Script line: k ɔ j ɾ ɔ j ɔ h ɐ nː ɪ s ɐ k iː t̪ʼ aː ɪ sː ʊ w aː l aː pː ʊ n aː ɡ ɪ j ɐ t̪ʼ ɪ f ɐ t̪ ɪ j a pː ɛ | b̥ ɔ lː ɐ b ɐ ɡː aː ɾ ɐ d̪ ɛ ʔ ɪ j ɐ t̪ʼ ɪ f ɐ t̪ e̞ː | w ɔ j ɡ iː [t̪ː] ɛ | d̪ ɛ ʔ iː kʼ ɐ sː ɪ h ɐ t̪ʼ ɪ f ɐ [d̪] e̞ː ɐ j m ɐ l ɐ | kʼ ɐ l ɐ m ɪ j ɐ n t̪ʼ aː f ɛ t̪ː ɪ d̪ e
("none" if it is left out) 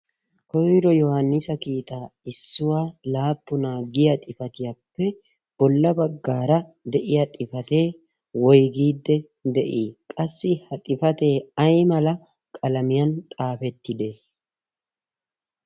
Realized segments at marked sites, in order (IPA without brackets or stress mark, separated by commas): d̪ː, t̪